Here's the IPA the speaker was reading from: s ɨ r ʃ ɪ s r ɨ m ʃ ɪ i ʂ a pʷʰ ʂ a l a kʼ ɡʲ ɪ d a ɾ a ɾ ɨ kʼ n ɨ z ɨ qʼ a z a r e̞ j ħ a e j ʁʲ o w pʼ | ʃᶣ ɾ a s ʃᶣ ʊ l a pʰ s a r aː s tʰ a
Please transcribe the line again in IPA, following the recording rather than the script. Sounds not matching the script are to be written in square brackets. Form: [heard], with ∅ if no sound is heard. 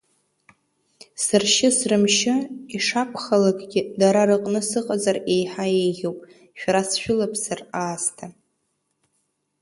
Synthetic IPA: s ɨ r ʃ ɪ s r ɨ m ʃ ɪ i ʂ a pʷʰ [χ] a l a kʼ ɡʲ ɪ d a ɾ a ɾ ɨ [qʼ] n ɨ [s] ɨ qʼ a z a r e̞ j ħ a e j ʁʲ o w pʼ | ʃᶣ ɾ a s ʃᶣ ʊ l a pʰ s a r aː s tʰ a